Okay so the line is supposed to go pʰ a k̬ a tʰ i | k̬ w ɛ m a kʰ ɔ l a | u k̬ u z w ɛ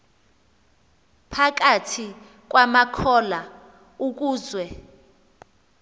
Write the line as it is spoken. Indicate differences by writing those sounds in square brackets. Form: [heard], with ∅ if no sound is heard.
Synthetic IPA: pʰ a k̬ a tʰ i | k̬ w [a] m a kʰ ɔ l a | u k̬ [uː] z w ɛ